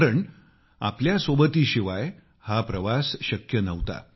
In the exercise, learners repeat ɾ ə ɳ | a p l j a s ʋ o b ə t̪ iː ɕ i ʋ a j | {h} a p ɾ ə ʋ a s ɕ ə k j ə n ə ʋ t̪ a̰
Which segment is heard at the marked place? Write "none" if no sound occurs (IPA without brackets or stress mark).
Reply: h